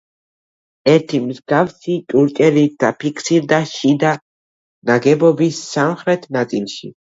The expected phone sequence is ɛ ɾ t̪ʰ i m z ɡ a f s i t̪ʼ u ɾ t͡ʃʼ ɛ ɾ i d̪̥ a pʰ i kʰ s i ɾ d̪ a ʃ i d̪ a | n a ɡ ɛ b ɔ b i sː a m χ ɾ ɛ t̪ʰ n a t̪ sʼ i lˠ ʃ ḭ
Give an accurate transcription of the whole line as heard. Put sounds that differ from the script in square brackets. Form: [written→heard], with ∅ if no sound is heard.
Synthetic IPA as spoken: ɛ ɾ t̪ʰ i m z ɡ a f s i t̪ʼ u ɾ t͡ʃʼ ɛ ɾ i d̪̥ a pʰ i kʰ s i ɾ d̪ a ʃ i d̪ a | n a ɡ ɛ b ɔ b i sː a m χ ɾ ɛ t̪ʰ n a t̪ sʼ i lˠ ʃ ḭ